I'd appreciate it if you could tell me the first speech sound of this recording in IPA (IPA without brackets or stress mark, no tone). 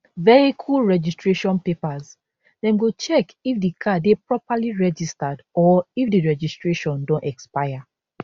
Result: v